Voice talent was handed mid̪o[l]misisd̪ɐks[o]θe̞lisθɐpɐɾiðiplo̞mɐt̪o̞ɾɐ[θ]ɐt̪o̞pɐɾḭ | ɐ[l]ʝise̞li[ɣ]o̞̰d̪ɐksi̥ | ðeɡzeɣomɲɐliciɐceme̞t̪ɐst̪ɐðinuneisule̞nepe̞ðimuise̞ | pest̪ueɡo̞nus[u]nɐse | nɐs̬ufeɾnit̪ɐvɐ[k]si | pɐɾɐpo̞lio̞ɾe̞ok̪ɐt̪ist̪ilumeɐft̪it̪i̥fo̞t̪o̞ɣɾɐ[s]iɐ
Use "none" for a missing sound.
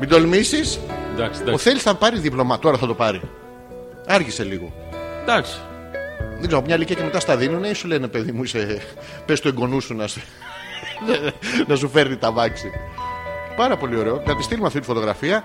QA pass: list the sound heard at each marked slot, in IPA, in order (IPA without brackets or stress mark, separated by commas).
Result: l, o, θ, ɾ, ɣ, u, k, f